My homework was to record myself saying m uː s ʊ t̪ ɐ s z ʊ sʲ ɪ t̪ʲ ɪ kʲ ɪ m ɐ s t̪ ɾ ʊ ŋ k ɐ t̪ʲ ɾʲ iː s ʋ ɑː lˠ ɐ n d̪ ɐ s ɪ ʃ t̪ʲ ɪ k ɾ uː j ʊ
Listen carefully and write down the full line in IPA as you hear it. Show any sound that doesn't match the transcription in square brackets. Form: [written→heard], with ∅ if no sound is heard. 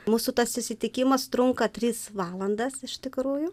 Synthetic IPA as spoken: m uː s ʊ t̪ ɐ s [z→s] ʊ sʲ ɪ t̪ʲ ɪ kʲ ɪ m ɐ s t̪ ɾ ʊ ŋ k ɐ t̪ʲ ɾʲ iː s ʋ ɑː lˠ ɐ n d̪ ɐ s ɪ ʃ t̪ʲ ɪ k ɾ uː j ʊ